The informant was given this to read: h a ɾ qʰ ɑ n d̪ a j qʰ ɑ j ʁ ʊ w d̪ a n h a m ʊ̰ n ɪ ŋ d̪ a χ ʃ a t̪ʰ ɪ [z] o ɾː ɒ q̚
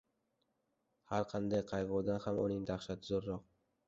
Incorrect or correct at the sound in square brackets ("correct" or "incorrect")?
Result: correct